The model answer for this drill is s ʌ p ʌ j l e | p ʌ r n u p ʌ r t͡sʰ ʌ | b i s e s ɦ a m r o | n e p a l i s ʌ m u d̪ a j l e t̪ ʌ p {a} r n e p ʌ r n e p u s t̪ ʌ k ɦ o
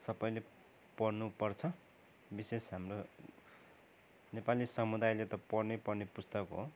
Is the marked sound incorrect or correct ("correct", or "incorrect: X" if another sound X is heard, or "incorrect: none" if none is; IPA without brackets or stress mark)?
incorrect: ʌ